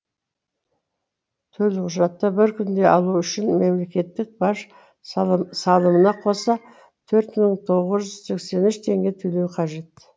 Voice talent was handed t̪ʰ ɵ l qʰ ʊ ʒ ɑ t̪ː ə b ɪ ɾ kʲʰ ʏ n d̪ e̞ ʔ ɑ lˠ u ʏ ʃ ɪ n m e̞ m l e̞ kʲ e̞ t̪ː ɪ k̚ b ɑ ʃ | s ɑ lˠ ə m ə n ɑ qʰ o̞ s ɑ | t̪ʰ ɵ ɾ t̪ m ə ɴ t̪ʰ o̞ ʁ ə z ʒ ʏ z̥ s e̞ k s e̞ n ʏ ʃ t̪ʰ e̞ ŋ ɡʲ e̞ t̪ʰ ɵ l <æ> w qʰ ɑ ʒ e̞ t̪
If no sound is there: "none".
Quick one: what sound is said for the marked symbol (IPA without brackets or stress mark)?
e